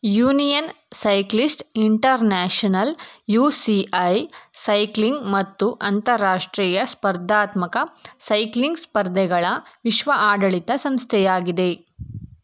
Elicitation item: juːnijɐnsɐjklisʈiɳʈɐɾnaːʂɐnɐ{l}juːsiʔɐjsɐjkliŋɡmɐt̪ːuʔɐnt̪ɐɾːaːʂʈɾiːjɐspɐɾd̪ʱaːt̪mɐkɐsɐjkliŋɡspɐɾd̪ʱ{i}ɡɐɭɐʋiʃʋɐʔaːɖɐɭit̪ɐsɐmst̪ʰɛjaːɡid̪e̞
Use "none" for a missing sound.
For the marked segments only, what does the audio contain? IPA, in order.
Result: l, ɛ

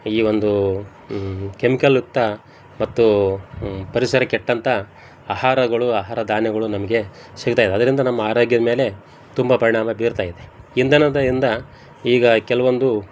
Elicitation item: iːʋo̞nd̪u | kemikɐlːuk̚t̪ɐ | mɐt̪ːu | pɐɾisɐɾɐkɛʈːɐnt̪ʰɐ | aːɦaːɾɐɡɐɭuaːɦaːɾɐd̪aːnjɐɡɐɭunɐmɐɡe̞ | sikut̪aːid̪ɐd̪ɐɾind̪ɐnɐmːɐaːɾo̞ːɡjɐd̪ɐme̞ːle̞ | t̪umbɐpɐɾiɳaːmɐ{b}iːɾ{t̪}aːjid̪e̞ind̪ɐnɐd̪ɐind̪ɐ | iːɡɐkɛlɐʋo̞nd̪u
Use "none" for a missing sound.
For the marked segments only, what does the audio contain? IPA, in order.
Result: b, t̪

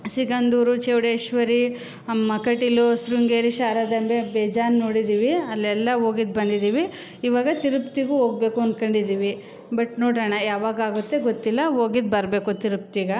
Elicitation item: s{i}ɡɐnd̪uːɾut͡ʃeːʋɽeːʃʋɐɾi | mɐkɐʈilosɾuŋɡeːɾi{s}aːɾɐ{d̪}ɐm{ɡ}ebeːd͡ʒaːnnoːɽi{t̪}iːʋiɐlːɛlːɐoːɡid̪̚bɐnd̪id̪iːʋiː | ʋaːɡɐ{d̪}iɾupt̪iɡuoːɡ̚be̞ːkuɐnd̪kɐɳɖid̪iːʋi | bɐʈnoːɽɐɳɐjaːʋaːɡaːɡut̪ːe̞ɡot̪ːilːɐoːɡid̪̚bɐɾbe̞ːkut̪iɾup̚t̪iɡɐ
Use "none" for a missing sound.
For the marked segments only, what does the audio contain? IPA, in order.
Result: i, ʃ, d̪, b, d̪, t̪

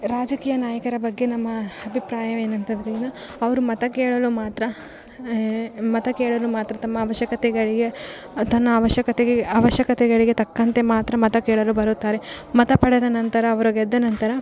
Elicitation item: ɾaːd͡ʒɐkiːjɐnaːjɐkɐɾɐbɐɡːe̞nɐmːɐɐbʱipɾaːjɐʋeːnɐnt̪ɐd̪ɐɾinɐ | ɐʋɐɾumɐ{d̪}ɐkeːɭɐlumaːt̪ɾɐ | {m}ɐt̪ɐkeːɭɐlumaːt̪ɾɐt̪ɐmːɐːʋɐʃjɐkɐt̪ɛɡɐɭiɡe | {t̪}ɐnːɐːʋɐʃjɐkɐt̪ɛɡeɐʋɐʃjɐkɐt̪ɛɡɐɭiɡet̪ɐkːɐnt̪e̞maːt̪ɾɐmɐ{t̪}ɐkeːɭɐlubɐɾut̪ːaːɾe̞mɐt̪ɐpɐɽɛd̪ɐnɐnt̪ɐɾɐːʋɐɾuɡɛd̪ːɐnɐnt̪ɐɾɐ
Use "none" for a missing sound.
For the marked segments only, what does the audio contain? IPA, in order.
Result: t̪, m, t̪, t̪

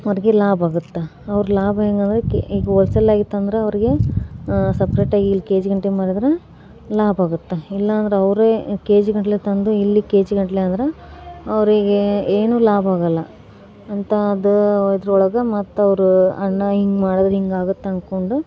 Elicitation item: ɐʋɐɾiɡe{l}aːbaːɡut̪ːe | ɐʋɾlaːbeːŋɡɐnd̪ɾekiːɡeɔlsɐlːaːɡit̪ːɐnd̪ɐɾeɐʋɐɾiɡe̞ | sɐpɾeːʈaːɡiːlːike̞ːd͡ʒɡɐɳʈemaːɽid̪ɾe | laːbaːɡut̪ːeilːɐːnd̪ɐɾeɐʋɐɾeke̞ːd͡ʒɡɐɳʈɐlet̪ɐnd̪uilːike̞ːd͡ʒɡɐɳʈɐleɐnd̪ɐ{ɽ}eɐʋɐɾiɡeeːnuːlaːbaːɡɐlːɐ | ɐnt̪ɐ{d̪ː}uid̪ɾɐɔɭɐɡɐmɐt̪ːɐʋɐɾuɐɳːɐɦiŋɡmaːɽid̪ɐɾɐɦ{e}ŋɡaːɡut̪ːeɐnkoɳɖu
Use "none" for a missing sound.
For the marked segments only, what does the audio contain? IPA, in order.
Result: l, ɾ, d̪, i

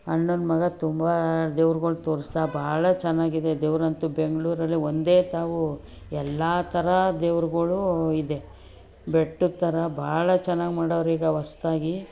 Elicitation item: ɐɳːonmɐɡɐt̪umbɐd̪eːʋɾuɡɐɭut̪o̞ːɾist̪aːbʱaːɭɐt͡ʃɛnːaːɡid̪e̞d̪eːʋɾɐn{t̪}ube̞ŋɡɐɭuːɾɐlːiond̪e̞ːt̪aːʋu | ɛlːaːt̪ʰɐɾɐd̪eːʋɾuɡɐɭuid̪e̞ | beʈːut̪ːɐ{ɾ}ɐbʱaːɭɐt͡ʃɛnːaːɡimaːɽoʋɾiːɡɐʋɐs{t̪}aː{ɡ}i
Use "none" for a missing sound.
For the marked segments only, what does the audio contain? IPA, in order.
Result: t̪, ɾ, t̪, ɡ

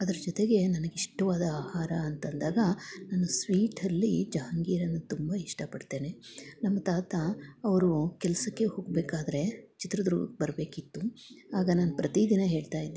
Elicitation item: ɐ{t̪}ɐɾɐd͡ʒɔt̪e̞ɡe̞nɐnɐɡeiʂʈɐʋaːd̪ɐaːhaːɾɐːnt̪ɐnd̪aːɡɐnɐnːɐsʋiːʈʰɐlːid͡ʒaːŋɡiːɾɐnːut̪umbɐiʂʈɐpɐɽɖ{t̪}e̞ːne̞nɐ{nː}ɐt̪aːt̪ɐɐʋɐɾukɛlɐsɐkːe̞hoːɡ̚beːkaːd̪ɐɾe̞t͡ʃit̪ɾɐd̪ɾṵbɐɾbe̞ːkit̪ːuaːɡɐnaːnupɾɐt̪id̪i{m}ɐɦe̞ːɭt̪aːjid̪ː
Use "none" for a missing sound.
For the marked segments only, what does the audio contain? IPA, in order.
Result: d̪, t̪, mː, n

